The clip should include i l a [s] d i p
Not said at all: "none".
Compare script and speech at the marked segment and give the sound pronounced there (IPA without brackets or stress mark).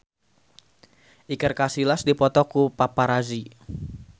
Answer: s